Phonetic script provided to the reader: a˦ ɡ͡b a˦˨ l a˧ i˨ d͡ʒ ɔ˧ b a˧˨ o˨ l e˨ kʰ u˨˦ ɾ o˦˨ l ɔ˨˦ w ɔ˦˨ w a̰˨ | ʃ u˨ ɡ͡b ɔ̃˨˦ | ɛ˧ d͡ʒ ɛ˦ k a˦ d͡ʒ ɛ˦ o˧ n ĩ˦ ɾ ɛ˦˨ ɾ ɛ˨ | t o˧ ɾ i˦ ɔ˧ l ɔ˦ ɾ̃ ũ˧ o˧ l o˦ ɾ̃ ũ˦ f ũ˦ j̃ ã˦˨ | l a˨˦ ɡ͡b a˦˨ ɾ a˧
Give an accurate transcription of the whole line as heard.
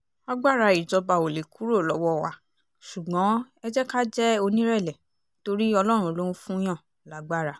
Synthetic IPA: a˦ ɡ͡b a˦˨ ɾ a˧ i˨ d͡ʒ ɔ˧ b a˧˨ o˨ l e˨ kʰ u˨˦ ɾ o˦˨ l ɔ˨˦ w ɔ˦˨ w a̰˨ | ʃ u˨ ɡ͡b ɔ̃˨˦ | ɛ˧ d͡ʒ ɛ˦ k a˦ d͡ʒ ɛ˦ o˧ n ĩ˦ ɾ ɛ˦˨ l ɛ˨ | t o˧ ɾ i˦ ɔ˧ l ɔ˦ ɾ̃ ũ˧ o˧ l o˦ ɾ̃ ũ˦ f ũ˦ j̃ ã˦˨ | l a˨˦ ɡ͡b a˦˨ ɾ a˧